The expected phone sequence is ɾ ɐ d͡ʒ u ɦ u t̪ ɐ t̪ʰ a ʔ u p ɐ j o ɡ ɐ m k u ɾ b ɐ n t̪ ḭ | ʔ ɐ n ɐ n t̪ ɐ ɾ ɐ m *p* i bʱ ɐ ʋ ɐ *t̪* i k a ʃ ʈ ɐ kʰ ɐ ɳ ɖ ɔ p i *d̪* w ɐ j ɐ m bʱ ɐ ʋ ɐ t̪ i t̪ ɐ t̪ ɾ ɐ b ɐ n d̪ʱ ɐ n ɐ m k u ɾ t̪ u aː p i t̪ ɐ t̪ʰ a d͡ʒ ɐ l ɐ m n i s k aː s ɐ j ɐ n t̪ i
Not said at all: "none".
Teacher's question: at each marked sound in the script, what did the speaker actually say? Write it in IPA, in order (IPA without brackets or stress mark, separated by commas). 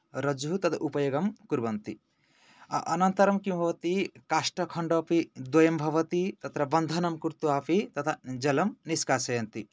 k, t̪, d̪